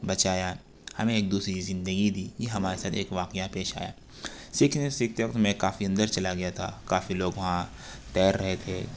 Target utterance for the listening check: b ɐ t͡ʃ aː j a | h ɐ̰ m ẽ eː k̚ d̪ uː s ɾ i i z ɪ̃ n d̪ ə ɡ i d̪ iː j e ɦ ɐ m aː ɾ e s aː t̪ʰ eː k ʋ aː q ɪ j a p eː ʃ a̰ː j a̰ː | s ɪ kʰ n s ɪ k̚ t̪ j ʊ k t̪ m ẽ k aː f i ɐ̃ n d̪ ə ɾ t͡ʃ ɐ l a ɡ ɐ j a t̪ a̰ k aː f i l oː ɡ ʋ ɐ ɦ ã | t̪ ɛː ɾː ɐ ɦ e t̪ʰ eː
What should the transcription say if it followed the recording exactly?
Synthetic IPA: b ɐ t͡ʃ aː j a | h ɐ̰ m ẽ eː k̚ d̪ uː s ɾ i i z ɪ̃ n d̪ ə ɡ i d̪ iː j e ɦ ɐ m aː ɾ e s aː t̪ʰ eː k ʋ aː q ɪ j a p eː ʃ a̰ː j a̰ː | s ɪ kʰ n s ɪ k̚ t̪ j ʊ k t̪ m ẽ k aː f i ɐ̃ n d̪ ə ɾ t͡ʃ ɐ l a ɡ ɐ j a t̪ʰ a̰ k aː f i l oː ɡ ʋ ɐ ɦ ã | t̪ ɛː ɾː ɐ ɦ e t̪ʰ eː